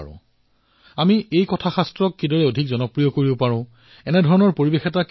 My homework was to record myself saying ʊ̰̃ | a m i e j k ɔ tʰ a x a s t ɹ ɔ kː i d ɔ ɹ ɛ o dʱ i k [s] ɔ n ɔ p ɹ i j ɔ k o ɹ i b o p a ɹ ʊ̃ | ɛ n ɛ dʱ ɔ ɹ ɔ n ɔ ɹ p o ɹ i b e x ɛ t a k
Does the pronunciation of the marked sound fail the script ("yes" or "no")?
yes